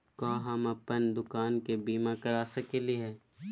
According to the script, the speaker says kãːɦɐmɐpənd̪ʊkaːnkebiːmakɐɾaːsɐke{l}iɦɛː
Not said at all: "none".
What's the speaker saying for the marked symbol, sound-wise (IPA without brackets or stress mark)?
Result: l